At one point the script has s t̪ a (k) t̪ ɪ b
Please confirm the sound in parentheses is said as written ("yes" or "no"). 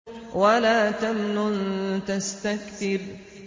yes